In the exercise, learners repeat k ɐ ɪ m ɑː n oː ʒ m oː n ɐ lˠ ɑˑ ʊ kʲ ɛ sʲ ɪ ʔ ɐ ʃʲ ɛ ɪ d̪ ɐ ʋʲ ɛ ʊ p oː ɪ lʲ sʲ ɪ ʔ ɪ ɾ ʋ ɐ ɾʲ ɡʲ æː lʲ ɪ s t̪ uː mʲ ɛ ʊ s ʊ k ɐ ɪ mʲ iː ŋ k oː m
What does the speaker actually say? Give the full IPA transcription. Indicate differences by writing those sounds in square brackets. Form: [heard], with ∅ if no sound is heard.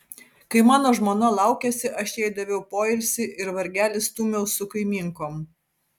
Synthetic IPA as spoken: k ɐ ɪ m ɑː n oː ʒ m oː n ɐ lˠ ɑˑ ʊ kʲ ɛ sʲ ɪ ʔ ɐ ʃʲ ɛ ɪ d̪ ɐ ʋʲ ɛ ʊ p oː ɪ lʲ sʲ ɪ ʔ ɪ ɾ ʋ ɐ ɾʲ ɡʲ æː lʲ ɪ s t̪ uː mʲ ɛ ʊ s ʊ k ɐ ɪ mʲ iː ŋ k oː m